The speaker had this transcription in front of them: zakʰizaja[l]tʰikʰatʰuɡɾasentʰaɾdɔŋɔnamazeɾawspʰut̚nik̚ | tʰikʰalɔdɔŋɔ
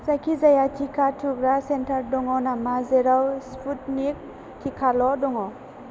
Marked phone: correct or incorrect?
incorrect